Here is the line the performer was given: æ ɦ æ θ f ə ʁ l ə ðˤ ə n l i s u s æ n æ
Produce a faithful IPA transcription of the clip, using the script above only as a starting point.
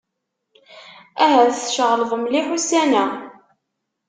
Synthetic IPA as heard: æ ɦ æ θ ʃ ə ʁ l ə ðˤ ə m l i ħ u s æ n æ